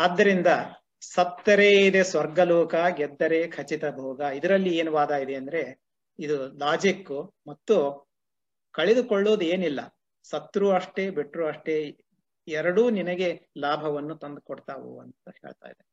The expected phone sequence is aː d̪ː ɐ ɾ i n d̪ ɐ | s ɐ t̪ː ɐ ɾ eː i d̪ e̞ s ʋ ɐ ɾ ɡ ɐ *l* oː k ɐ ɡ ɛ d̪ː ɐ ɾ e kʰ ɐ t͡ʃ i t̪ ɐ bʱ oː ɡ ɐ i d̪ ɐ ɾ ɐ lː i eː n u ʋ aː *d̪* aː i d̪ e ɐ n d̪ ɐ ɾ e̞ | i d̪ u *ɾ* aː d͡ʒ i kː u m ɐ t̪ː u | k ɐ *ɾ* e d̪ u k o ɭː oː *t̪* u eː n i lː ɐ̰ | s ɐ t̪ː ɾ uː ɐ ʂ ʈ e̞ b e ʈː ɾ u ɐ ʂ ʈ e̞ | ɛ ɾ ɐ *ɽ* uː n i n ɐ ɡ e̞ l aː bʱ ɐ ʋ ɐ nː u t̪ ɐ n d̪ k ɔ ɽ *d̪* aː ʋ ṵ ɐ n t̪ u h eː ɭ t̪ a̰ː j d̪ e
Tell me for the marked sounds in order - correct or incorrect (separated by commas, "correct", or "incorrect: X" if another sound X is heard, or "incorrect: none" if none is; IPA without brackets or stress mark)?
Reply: correct, correct, incorrect: l, incorrect: ɭ, incorrect: d̪, correct, incorrect: t̪